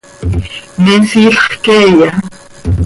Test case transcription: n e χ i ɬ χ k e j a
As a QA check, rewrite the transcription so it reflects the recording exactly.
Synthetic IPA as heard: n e s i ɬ χ k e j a